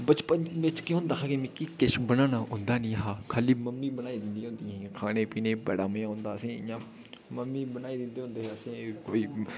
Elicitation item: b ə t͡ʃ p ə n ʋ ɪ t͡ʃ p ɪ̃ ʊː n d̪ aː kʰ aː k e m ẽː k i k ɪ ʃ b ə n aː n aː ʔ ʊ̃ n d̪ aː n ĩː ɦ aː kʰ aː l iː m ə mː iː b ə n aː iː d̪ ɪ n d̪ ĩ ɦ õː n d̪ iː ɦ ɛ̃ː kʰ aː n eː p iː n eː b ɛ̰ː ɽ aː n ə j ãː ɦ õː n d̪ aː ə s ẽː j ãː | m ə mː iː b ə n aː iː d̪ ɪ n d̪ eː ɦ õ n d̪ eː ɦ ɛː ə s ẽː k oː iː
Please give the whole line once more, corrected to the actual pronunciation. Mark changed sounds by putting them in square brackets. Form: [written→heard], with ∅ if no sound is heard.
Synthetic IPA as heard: b ə t͡ʃ p ə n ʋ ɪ t͡ʃ [p→k] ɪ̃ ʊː n d̪ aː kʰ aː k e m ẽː k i k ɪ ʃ b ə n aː n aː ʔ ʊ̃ n d̪ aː n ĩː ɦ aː kʰ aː l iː m ə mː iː b ə n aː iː d̪ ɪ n d̪ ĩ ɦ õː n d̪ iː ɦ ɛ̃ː kʰ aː n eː p iː n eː b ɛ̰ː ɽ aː [n→m] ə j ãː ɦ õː n d̪ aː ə s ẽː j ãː | m ə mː iː b ə n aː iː d̪ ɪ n d̪ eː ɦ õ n d̪ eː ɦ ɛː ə s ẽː k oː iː